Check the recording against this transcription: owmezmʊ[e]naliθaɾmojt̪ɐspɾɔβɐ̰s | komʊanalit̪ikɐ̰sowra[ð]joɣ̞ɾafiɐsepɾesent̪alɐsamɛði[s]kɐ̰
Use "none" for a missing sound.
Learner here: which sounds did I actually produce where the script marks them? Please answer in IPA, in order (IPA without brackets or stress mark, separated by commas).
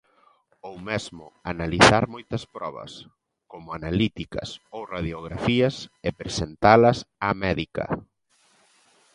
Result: a, ð, none